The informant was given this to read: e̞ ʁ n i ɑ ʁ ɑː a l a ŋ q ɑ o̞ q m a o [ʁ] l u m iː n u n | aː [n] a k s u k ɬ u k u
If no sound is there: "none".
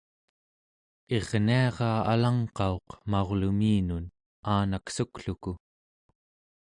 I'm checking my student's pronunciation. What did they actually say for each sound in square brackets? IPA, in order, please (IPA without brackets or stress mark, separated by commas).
ʁ, n